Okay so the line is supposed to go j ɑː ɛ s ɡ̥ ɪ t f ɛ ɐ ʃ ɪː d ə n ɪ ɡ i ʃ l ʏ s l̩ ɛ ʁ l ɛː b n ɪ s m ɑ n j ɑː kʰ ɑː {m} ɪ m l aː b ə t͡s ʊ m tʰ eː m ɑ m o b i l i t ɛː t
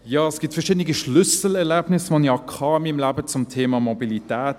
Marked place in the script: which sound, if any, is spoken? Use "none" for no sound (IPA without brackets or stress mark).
m